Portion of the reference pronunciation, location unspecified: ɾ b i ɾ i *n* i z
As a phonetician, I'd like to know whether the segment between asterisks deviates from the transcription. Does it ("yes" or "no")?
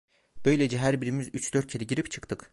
yes